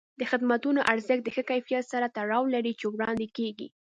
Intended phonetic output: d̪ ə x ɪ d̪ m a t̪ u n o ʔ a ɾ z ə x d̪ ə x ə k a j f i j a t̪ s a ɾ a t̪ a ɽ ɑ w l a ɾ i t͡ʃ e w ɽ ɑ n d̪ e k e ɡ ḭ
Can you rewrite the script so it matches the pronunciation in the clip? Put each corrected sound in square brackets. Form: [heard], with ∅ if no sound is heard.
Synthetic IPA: d̪ ə x ɪ d̪ m a t̪ u n o ʔ a ɾ z ə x d̪ ə x ə k a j f i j a t̪ s a ɾ a t̪ a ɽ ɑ w l a ɾ i t͡ʃ e w ɽ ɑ n d̪ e k e ɡ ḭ